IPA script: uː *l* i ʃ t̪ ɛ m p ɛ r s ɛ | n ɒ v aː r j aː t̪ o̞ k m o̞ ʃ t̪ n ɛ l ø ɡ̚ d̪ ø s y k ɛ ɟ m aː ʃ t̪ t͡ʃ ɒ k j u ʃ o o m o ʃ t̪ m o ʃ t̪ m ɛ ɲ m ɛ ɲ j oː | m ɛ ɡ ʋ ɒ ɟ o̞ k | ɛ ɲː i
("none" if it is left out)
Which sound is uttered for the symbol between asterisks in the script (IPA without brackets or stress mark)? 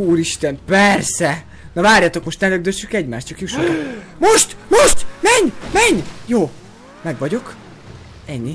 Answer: ɾ